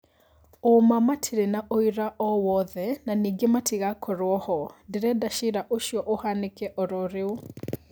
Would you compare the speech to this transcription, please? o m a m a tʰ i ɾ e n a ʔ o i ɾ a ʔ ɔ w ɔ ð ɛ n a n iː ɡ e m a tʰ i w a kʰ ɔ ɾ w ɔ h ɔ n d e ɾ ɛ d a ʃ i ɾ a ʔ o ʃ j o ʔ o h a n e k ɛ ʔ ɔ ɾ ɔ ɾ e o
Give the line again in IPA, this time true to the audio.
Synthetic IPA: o m a m a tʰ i ɾ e n a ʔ o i ɾ a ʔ ɔ w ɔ ð ɛ n a n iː ɡ e m a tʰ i ɣ a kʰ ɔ ɾ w ɔ h ɔ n d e ɾ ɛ d a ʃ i ɾ a ʔ o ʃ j ɔ ʔ o h a n e k ɛ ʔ ɔ ɾ ɔ ɾ e o